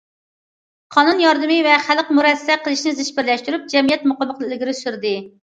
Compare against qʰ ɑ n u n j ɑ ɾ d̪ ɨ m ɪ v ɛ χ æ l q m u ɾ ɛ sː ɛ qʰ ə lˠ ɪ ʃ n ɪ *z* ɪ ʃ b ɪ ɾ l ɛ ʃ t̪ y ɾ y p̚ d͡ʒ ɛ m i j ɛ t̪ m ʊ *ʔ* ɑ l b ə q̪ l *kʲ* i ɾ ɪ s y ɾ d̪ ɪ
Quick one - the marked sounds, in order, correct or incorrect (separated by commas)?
correct, incorrect, incorrect